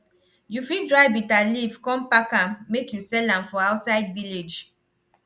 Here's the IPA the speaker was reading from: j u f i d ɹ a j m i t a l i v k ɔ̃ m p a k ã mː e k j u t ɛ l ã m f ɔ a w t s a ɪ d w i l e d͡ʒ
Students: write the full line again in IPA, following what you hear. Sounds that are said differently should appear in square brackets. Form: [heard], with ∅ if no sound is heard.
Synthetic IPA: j u f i d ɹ a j [b] i t a l i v k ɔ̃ m p a k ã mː e k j u [s] ɛ l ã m f ɔ a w t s a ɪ d [v] i l e d͡ʒ